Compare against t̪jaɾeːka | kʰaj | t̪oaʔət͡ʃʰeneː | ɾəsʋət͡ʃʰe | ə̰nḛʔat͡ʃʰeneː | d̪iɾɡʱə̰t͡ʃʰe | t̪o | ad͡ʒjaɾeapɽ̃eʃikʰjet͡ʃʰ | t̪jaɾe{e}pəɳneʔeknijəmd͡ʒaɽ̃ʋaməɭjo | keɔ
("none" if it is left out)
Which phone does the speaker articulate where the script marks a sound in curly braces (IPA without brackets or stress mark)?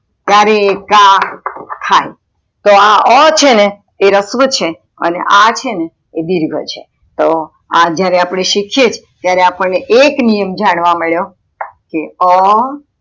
a